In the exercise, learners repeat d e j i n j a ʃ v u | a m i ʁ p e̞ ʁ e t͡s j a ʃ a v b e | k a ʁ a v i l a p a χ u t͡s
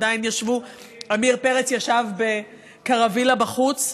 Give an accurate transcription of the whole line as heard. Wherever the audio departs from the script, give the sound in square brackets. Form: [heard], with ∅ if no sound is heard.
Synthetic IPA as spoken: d [a] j i n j a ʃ v u | a m i ʁ p e̞ ʁ e t͡s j a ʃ a v b e | k a ʁ a v i l a [b] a χ u t͡s